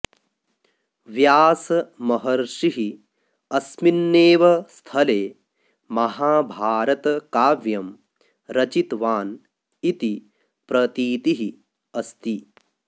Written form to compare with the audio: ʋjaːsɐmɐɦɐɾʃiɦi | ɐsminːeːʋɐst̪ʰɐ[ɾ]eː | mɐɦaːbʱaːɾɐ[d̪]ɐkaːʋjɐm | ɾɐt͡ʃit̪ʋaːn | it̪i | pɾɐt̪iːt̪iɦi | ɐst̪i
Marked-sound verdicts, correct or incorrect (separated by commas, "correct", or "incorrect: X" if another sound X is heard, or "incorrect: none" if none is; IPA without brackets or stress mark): incorrect: l, incorrect: t̪